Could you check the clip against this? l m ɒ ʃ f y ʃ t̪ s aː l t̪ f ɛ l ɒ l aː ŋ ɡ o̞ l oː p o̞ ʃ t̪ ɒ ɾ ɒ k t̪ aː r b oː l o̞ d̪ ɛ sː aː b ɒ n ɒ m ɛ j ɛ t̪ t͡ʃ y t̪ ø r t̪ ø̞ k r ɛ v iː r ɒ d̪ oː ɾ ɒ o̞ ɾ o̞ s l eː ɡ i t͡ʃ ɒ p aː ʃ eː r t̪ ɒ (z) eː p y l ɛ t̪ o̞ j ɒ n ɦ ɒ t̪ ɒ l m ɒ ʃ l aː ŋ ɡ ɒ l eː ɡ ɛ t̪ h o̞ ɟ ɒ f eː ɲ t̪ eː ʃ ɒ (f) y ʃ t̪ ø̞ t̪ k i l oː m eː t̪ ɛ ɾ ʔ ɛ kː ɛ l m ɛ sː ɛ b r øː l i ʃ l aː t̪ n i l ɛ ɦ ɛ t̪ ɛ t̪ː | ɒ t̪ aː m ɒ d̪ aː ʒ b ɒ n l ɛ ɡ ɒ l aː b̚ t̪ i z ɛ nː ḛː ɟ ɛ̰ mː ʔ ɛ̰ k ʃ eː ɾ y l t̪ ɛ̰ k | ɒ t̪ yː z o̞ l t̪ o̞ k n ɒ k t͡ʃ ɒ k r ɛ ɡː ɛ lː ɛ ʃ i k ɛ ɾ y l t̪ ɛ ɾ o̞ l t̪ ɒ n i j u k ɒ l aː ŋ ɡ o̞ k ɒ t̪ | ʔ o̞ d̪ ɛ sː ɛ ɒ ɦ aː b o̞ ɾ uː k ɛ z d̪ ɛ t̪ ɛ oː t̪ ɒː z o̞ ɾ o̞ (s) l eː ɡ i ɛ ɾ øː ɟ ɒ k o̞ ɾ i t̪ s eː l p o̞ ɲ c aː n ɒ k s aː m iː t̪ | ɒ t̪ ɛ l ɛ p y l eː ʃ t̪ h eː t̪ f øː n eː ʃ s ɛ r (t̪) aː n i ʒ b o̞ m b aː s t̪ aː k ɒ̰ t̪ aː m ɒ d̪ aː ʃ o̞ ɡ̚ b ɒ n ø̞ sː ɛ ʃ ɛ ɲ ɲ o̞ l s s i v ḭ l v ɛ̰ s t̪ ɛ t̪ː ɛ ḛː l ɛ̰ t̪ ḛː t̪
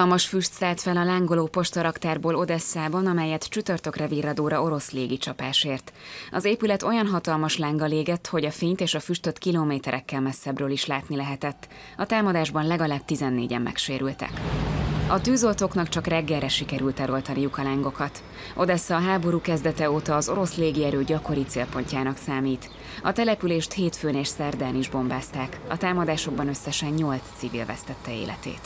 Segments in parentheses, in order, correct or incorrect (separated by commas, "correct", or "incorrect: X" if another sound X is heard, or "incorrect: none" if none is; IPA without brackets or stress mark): correct, correct, correct, incorrect: d̪